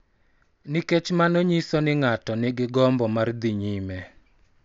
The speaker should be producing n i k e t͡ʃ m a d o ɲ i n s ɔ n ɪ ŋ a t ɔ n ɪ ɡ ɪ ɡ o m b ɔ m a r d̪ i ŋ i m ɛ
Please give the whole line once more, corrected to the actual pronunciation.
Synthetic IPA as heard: n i k e t͡ʃ m a n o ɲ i s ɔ n ɪ ŋ a t ɔ n ɪ ɡ ɪ ɡ ɔ m b ɔ m a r d̪ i ɲ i m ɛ

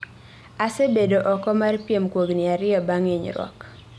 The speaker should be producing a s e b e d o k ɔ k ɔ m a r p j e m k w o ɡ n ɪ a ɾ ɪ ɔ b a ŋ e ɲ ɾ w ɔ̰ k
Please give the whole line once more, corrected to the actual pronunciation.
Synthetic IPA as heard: a s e b e d o ʔ ɔ k ɔ m a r p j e m k w o ɡ n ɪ a ɾ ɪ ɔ b a ŋ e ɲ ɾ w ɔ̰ k

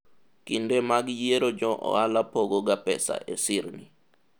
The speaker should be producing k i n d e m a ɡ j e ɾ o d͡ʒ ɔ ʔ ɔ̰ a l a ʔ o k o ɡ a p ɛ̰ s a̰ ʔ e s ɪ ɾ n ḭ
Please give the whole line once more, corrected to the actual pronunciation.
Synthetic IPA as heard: k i n d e m a ɡ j e ɾ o d͡ʒ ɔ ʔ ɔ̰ a l a p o ɡ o ɡ a p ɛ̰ s a̰ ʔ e s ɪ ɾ n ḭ

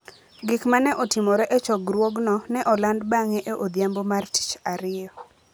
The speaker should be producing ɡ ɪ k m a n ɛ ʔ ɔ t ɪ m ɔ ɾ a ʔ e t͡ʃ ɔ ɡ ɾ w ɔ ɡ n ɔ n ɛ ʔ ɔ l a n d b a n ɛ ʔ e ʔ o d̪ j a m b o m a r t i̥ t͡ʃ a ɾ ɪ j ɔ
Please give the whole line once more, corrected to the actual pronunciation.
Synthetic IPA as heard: ɡ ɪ k m a n ɛ ʔ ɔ t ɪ m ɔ ɾ ɛ ʔ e t͡ʃ ɔ ɡ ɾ w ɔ ɡ n ɔ n ɛ ʔ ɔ l a n d b a ŋ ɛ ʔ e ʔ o d̪ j a m b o m a r t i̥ t͡ʃ a ɾ ɪ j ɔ

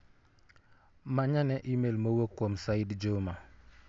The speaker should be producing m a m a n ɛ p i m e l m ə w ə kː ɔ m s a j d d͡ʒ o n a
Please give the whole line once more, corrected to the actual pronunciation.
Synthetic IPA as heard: m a ɲ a n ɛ ʔ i m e l m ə w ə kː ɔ m s a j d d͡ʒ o m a

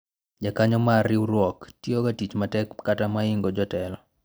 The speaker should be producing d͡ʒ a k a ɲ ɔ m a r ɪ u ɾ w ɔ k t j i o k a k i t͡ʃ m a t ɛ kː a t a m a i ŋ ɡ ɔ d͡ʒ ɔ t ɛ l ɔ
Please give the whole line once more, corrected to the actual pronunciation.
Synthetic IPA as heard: d͡ʒ a k a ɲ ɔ m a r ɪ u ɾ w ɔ k t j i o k a t i t͡ʃ m a t ɛ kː a t a m a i ŋ ɡ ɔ d͡ʒ ɔ t ɛ l ɔ

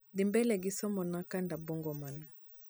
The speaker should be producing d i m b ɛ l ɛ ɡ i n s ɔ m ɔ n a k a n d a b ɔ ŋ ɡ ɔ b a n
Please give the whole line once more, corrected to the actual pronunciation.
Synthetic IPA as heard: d i m b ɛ l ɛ ɡ i s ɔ m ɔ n a k a n d a b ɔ ŋ ɡ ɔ m a n

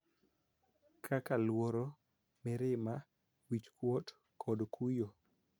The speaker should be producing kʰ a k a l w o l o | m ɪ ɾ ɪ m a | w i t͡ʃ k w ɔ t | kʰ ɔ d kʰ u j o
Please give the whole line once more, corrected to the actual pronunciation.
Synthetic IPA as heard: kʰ a k a l w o ɾ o | m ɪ ɾ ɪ m a | w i t͡ʃ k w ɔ t | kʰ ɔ d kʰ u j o

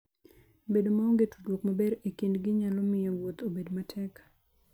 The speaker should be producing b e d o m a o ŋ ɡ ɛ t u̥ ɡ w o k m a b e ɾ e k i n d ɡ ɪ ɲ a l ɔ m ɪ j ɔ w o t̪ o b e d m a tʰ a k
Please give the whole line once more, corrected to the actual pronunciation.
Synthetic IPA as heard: b e d o m a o ŋ ɡ e t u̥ d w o k m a b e ɾ e k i n d ɡ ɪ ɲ a l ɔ m ɪ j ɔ w o t̪ o b e d m a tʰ ɛ k

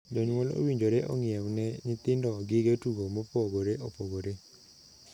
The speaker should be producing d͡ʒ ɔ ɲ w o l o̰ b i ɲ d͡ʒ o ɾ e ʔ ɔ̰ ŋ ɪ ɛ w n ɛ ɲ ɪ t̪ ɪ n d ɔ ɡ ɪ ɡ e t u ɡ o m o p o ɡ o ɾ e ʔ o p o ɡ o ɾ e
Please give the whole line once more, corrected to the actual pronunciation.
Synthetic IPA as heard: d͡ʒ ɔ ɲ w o l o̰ w i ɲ d͡ʒ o ɾ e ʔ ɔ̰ ŋ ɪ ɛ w n ɛ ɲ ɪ t̪ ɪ n d ɔ ɡ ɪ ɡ e t u ɡ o m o p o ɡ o ɾ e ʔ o p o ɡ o ɾ e

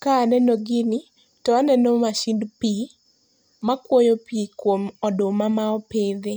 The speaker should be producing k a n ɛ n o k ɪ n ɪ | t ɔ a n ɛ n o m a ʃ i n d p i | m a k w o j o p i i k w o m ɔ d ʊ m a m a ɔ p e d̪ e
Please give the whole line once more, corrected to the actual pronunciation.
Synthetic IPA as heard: k a n ɛ n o ɡ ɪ n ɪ | t ɔ a n ɛ n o m a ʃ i n d p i | m a k w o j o p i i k w o m ɔ d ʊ m a m a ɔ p e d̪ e

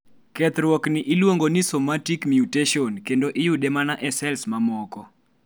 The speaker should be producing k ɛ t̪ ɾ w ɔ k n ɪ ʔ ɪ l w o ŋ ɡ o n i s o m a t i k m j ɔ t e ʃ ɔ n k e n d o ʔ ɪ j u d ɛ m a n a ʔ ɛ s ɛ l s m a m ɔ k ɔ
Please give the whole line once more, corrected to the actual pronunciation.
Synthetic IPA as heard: k ɛ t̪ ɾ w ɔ k n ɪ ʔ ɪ l w o ŋ ɡ o n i s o m a t i k m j u t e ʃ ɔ n k e n d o ʔ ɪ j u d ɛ m a n a ʔ ɛ s ɛ l s m a m ɔ k ɔ

